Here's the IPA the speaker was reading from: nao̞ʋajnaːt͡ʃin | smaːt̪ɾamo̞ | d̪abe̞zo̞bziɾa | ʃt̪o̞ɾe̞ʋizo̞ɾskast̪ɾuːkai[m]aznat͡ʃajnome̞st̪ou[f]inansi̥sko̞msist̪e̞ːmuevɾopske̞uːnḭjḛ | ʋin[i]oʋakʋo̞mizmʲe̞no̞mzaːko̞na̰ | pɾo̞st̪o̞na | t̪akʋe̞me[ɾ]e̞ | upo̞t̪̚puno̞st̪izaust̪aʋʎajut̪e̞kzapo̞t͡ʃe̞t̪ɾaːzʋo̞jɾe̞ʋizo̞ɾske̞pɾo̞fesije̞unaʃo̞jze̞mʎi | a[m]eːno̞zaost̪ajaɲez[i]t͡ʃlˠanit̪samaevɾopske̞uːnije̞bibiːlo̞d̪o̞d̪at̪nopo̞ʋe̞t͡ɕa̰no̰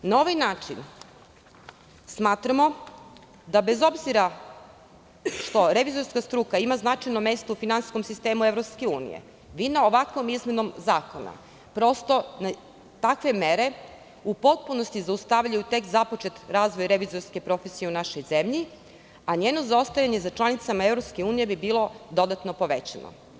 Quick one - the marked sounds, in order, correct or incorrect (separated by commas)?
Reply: correct, correct, incorrect, correct, incorrect, incorrect